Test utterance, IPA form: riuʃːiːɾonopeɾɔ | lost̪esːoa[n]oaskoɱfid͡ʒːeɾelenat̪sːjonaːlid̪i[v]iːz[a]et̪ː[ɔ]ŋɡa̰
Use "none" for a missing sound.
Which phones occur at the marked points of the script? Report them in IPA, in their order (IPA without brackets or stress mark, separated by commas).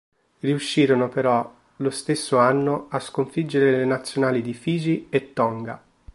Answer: nː, f, i, ɔ